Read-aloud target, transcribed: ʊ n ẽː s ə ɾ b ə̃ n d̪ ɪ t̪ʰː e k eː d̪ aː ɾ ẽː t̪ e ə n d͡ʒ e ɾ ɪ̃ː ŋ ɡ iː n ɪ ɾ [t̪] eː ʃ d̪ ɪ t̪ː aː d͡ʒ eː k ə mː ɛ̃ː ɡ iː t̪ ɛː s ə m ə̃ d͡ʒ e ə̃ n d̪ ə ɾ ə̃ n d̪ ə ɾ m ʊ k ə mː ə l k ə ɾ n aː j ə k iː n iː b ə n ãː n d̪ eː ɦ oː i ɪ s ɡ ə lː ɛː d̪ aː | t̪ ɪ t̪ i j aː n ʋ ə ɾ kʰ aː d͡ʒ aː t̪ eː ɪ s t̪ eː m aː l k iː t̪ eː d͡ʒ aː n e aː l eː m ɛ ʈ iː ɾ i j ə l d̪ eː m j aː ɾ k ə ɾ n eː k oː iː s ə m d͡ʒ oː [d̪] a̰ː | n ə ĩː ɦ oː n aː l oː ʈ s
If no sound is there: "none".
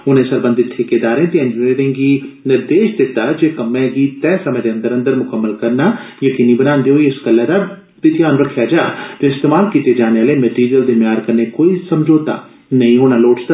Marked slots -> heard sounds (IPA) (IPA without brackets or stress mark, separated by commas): d̪, t̪